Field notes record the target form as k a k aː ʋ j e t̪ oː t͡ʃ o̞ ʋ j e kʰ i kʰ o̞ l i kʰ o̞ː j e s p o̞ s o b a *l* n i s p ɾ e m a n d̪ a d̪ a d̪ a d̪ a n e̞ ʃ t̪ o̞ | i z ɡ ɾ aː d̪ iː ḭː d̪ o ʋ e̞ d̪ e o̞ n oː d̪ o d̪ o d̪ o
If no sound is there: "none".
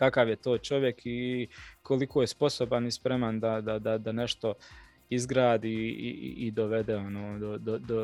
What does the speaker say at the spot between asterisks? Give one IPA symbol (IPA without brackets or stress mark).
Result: none